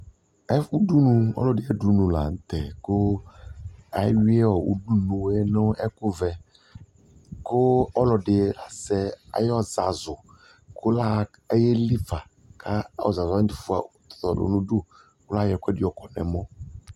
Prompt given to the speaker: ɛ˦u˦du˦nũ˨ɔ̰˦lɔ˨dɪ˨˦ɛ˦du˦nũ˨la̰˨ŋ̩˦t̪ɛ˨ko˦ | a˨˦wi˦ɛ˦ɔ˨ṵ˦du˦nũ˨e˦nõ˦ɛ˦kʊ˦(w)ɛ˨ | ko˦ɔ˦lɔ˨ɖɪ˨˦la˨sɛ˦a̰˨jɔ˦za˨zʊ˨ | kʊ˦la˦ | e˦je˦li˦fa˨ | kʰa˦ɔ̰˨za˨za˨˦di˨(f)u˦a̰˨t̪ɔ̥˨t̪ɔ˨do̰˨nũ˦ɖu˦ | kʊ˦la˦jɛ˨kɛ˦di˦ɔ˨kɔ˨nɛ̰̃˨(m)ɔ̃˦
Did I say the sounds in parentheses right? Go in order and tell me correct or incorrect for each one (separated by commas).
incorrect, correct, correct